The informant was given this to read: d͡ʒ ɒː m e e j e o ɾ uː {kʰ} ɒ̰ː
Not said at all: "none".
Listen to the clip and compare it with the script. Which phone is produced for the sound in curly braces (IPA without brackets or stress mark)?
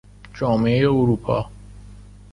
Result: pʰ